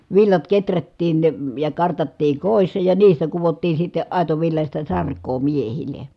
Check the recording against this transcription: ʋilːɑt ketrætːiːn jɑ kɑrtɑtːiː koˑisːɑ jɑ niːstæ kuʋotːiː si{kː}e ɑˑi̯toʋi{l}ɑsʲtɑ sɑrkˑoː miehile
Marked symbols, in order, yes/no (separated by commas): no, no